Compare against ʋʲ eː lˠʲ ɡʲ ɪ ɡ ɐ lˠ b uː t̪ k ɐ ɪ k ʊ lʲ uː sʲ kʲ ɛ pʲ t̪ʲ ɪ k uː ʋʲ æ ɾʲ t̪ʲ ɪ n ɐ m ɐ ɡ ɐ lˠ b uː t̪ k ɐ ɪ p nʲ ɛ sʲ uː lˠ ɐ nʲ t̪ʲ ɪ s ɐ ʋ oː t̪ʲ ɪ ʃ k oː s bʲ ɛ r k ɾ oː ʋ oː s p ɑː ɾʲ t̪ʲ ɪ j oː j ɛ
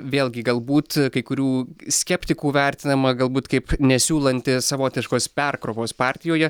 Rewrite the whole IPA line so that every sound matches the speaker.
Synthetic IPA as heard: ʋʲ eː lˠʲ ɡʲ ɪ ɡ ɐ lˠ b uː t̪ k ɐ ɪ k ʊ ɾʲ uː sʲ kʲ ɛ pʲ t̪ʲ ɪ k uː ʋʲ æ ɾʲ t̪ʲ ɪ n ɐ m ɐ ɡ ɐ lˠ b uː t̪ k ɐ ɪ p nʲ ɛ sʲ uː lˠ ɐ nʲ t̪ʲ ɪ s ɐ ʋ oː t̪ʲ ɪ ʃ k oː s pʲ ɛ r k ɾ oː ʋ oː s p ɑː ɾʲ t̪ʲ ɪ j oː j ɛ